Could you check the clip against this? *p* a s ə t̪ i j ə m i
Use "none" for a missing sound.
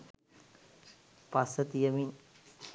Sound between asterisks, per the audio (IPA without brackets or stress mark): p